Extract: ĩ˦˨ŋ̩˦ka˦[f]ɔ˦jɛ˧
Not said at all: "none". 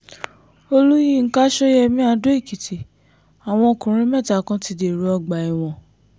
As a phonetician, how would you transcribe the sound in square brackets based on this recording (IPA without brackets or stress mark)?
ʃ